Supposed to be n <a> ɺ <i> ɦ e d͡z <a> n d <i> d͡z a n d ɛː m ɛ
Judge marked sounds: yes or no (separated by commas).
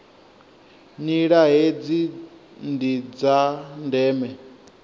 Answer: no, no, no, yes